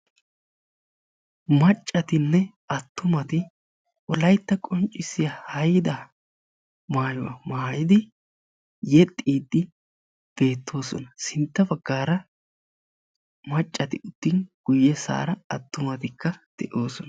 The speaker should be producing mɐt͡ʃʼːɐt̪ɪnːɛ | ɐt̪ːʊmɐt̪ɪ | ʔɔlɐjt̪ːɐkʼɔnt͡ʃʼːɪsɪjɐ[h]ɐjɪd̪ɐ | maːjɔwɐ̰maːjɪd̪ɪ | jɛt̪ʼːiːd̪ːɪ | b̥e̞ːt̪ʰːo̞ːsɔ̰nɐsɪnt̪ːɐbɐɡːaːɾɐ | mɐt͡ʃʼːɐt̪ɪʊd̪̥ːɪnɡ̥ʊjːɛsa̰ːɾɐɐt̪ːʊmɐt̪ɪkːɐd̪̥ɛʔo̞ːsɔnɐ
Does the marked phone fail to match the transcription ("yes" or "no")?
no